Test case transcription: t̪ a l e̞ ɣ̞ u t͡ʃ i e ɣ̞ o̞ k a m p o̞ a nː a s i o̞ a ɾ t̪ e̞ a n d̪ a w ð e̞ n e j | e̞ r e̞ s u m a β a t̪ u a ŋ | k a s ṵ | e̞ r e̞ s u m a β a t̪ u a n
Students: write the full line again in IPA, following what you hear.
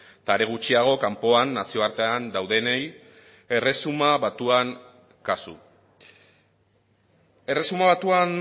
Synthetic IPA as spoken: t̪ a ɾ e̞ ɣ̞ u t͡ʃ i a ɣ̞ o̞ k a m p o̞ a nː a s i o̞ a ɾ t̪ e̞ a n d̪ a w ð e̞ n e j | e̞ r e̞ s u m a β a t̪ u a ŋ | k a s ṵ | e̞ r e̞ s u m a β a t̪ u a n